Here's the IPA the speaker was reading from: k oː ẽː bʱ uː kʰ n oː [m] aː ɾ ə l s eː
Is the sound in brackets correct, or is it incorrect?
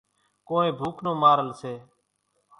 correct